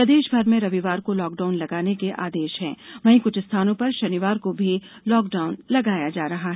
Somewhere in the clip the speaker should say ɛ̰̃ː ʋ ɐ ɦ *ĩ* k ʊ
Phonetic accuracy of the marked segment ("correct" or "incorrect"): correct